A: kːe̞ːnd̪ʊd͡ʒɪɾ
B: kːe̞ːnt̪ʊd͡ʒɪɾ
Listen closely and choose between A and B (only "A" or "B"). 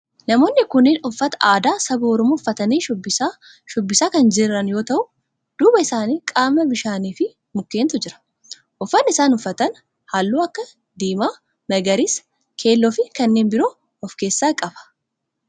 B